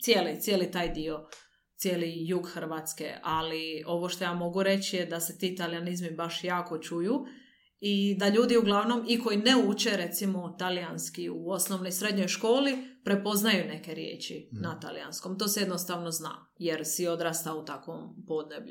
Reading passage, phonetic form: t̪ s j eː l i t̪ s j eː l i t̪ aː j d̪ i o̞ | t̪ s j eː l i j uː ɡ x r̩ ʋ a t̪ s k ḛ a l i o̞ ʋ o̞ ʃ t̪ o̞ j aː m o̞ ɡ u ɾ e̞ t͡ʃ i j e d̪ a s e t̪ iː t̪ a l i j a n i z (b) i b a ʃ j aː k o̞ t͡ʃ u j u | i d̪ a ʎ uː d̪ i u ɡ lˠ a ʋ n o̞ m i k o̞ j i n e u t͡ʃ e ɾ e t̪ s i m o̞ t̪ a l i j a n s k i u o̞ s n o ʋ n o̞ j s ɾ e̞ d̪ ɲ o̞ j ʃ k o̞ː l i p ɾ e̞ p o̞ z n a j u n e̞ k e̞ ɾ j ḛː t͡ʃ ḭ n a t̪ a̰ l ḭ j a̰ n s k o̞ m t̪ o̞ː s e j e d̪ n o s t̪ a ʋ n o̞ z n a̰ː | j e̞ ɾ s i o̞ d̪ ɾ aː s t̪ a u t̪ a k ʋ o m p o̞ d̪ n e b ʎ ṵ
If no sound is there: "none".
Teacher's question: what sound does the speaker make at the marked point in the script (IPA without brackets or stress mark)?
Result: m